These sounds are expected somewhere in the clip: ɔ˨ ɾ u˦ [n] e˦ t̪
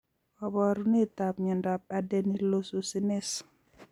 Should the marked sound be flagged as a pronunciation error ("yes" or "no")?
no